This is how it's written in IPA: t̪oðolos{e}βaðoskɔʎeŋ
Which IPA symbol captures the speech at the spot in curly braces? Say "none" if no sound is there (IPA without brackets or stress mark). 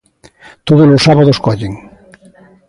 a